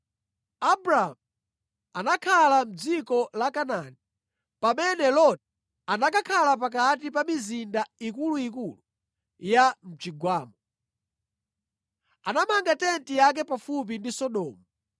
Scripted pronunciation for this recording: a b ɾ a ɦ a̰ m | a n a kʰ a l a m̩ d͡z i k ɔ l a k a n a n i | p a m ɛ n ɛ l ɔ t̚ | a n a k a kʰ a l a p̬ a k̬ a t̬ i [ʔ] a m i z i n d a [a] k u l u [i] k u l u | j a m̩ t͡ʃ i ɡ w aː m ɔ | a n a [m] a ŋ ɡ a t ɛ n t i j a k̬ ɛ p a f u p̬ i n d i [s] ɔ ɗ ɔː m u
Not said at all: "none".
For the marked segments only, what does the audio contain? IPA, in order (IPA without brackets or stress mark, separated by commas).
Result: p, i, i, m, s